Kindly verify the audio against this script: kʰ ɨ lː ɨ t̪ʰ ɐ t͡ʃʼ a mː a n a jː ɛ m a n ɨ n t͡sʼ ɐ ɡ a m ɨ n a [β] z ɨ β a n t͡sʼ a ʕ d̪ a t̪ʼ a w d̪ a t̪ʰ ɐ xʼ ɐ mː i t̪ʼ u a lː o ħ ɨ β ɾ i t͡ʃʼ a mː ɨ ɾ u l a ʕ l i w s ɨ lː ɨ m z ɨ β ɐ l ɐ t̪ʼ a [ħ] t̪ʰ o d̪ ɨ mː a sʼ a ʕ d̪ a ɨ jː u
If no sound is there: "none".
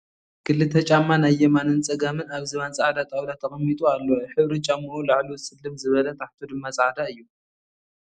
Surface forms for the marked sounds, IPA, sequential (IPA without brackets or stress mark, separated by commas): β, ħ